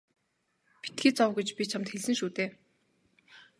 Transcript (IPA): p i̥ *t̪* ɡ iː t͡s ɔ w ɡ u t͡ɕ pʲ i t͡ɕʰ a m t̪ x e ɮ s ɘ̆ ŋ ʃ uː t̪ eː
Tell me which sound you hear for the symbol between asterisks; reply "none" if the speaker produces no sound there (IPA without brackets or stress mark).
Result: t̪